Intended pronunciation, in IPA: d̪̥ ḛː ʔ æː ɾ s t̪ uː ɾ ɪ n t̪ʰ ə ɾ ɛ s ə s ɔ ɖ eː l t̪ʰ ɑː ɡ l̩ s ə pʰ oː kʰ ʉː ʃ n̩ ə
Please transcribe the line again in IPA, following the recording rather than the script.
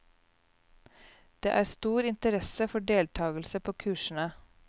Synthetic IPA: d̪̥ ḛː ʔ æː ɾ s t̪ uː ɾ ɪ n t̪ ə ɾ ɛ s ə f ɔ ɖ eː l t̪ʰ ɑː ɡ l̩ s ə pʰ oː kʰ ʉː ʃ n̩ ə